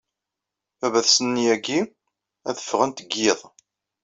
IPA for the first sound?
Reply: æ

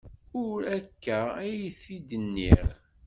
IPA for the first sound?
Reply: ʊ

